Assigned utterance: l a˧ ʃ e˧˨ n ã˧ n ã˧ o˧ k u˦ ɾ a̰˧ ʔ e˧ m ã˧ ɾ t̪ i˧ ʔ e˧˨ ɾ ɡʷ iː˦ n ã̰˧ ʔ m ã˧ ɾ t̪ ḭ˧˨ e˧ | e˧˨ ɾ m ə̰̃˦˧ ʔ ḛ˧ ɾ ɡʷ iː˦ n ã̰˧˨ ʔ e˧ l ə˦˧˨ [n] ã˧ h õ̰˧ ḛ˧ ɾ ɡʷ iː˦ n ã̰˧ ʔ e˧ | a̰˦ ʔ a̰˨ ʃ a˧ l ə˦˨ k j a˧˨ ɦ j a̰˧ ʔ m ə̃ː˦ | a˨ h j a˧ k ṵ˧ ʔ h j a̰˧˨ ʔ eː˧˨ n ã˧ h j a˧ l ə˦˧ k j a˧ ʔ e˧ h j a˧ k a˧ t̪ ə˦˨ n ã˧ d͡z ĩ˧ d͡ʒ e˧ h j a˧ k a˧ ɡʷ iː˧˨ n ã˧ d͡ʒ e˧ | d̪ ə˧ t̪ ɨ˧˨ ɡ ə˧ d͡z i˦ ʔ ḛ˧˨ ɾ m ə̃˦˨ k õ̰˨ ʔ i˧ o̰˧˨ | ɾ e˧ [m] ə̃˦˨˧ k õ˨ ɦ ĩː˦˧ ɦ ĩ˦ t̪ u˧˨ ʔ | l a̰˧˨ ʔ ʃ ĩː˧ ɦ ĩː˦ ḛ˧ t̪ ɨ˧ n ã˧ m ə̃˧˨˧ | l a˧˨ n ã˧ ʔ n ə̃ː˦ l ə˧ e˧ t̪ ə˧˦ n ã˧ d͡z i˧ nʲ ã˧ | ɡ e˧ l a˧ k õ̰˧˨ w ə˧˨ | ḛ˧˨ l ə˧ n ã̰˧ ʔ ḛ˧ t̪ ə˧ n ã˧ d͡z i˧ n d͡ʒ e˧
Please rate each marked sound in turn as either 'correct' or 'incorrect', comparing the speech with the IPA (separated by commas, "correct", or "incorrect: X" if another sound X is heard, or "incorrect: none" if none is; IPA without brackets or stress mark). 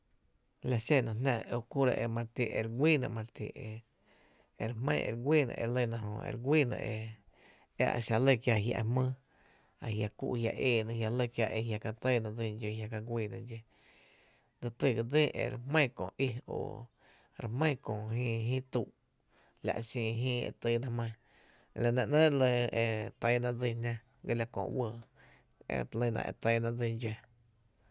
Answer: correct, correct